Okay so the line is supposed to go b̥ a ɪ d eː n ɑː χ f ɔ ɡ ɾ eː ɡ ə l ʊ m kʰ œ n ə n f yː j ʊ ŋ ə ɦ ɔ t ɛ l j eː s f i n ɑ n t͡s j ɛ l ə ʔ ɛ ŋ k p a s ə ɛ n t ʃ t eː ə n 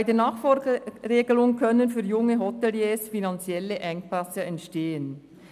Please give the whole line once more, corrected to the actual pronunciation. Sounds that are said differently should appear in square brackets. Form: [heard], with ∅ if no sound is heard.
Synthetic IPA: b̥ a ɪ d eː n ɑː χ f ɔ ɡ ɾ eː ɡ ə l ʊ [ŋ] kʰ œ n ə n f yː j ʊ ŋ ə ɦ ɔ t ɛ l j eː s f i n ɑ n t͡s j ɛ l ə ʔ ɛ ŋ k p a s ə ɛ n t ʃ t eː ə n